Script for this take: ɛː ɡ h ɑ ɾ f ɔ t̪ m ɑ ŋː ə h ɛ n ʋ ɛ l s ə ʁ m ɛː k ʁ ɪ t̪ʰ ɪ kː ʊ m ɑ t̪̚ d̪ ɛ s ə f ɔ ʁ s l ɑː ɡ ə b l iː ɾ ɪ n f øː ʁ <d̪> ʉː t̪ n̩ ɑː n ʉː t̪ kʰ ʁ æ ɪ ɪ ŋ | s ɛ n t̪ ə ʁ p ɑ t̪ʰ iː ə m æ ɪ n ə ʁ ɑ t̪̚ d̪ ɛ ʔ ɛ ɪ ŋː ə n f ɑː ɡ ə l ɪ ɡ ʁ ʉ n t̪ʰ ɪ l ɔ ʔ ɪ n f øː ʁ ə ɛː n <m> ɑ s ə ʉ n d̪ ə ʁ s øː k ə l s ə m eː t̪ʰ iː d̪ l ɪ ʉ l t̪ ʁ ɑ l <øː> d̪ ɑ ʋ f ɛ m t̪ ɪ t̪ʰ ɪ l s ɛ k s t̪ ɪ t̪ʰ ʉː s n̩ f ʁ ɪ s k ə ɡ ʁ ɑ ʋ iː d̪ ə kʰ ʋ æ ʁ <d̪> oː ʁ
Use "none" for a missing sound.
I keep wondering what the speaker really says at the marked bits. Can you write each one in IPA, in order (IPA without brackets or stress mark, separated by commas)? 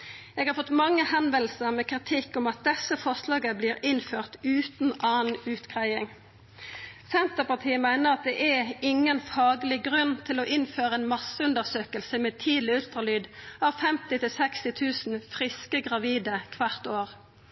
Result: t̪, m, yː, t̪